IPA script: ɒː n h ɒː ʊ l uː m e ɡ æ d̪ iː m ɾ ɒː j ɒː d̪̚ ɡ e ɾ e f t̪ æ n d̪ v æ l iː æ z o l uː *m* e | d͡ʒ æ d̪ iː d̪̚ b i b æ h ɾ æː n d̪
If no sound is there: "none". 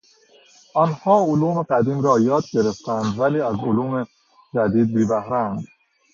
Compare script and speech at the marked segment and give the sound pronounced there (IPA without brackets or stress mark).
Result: m